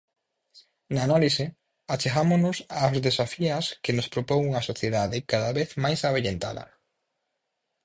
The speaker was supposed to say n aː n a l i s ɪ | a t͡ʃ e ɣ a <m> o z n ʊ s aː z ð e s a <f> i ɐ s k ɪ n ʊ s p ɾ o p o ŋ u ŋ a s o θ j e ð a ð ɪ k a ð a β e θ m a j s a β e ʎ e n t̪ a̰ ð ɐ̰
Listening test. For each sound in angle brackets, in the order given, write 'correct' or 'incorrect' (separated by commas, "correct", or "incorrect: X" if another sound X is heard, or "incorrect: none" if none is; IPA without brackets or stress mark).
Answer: correct, correct